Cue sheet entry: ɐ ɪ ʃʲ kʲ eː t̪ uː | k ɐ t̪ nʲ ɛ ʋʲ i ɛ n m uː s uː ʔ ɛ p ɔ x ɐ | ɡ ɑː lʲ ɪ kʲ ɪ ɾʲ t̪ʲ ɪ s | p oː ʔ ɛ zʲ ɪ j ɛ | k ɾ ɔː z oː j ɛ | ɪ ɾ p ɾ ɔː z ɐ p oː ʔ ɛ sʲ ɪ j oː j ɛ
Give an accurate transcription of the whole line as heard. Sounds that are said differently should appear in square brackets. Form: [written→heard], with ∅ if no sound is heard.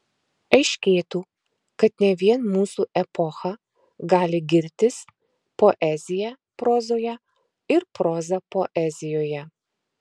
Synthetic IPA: ɐ ɪ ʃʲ kʲ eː t̪ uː | k ɐ t̪ nʲ ɛ ʋʲ i ɛ n m uː s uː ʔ ɛ p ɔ x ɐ | ɡ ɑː lʲ ɪ [kʲ→ɡʲ] ɪ ɾʲ t̪ʲ ɪ s | p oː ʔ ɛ zʲ ɪ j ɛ | [k→p] ɾ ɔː z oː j ɛ | ɪ ɾ p ɾ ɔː z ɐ p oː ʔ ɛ [sʲ→zʲ] ɪ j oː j ɛ